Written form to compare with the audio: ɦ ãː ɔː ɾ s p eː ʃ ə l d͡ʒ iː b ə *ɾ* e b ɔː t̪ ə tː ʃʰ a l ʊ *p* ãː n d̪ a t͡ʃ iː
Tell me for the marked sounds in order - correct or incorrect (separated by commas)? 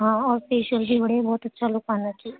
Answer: incorrect, incorrect